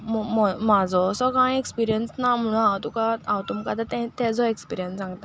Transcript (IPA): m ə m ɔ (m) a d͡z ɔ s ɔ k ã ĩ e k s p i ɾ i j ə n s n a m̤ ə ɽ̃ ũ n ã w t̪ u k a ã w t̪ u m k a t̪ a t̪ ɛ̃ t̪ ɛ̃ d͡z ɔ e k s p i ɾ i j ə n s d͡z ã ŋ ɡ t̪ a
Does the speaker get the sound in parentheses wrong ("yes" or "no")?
no